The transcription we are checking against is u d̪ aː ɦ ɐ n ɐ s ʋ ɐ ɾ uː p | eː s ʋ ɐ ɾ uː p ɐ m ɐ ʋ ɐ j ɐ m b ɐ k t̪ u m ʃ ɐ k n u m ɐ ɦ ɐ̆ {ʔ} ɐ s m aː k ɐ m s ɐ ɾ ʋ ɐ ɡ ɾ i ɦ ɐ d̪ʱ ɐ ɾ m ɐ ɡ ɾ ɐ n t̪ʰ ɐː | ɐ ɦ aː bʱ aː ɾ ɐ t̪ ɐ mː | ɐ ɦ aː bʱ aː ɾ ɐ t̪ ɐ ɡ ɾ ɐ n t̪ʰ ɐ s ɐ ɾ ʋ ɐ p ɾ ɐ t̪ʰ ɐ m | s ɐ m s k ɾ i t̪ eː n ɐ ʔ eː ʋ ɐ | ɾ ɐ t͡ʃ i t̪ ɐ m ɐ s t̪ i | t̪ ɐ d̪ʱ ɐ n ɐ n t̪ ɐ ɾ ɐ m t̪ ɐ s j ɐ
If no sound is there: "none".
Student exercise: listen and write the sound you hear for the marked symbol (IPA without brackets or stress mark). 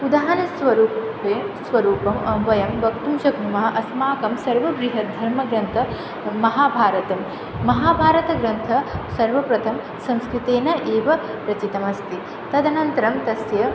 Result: ʔ